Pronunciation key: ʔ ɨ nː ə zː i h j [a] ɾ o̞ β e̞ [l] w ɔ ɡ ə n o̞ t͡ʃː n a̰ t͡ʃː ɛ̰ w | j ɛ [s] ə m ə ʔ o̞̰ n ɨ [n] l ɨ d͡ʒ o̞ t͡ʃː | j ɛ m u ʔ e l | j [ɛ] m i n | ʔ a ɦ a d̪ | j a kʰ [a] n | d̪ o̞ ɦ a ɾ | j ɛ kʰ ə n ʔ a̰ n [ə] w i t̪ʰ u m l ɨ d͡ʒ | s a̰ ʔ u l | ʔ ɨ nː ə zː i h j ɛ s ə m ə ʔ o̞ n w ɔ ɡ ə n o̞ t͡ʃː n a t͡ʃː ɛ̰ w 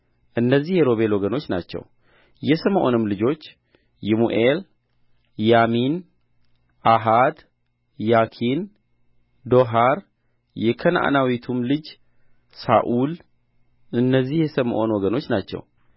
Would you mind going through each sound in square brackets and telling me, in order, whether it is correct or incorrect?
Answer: incorrect, correct, correct, incorrect, incorrect, incorrect, incorrect

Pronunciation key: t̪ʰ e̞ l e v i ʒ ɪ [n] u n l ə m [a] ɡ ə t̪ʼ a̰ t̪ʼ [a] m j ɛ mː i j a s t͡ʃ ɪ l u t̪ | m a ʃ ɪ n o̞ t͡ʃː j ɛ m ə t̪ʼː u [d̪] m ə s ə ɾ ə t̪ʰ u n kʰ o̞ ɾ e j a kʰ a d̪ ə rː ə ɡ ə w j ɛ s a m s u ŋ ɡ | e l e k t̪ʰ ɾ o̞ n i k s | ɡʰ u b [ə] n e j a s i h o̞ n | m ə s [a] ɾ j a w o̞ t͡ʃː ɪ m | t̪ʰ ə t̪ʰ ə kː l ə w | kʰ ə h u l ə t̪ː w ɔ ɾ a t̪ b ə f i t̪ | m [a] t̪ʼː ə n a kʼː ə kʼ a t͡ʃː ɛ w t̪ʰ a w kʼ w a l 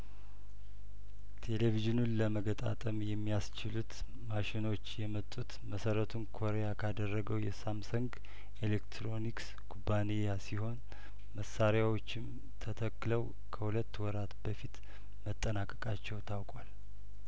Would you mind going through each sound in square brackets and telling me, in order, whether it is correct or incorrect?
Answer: correct, incorrect, incorrect, incorrect, incorrect, correct, incorrect

